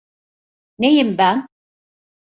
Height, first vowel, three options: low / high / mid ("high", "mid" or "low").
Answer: mid